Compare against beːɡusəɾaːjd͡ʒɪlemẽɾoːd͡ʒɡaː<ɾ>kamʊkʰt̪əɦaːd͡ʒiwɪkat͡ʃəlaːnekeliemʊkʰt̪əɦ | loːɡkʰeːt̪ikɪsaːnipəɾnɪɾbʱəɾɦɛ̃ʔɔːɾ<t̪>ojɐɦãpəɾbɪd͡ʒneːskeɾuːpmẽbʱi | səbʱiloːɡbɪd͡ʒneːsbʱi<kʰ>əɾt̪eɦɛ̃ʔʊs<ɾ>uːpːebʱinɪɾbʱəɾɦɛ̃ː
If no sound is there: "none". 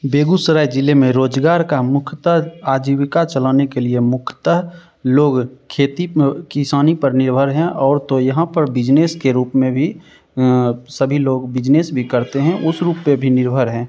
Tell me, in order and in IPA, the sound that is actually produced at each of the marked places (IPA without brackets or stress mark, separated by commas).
ɾ, t̪, k, ɾ